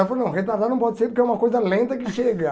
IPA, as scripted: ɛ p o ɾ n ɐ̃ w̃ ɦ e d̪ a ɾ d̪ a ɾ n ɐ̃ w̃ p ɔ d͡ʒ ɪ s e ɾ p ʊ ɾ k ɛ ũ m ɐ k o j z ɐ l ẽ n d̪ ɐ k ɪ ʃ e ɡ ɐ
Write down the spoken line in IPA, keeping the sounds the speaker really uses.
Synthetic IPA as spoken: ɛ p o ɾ n ɐ̃ w̃ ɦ e t̪ a ɾ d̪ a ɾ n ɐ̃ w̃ p ɔ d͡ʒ ɪ s e ɾ p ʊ ɾ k ɛ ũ m ɐ k o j z ɐ l ẽ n t̪ ɐ k ɪ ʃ e ɡ ɐ